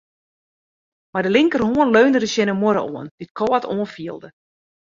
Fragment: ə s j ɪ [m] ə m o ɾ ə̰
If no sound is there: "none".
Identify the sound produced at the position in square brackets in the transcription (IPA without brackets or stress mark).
n